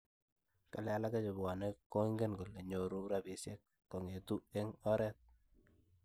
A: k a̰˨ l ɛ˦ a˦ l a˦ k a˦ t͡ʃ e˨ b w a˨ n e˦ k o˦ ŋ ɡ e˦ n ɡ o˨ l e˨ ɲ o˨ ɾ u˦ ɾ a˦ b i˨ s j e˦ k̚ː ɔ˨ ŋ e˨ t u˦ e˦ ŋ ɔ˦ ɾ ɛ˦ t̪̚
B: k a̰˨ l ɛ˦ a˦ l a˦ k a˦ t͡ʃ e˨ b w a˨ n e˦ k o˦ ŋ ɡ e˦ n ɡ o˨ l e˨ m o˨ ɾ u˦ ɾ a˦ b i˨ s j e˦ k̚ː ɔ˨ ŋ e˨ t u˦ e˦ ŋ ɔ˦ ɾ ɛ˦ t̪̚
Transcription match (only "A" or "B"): A